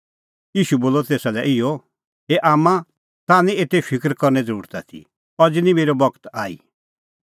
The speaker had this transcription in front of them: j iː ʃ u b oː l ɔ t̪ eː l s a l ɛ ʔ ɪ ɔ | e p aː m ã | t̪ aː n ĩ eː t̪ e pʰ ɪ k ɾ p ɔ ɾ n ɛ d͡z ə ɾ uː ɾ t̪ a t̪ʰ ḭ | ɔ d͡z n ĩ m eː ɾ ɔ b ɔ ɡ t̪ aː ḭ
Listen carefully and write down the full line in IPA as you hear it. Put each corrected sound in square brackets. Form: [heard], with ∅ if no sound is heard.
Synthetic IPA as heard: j iː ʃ u b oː l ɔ t̪ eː [∅] s a l ɛ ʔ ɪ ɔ | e [ʔ] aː m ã | t̪ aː n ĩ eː t̪ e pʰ ɪ k ɾ [k] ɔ ɾ n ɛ d͡z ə ɾ uː ɾ t̪ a t̪ʰ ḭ | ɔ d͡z n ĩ m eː ɾ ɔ b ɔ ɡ t̪ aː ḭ